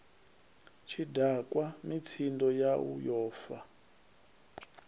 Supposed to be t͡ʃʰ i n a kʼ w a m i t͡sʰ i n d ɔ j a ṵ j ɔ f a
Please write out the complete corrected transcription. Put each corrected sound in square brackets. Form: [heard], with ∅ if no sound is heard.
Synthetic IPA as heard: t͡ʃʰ i [d] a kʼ w a m i t͡sʰ i n d ɔ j a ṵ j [ɔː] f a